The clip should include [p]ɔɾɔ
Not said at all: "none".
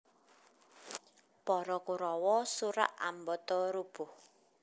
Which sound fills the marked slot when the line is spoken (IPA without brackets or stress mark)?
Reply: p